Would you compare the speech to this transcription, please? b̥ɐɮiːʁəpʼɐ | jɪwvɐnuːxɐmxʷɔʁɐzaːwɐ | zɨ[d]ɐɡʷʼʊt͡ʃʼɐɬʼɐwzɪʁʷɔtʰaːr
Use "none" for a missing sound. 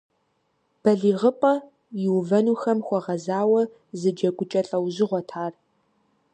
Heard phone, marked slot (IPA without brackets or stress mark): d͡ʒ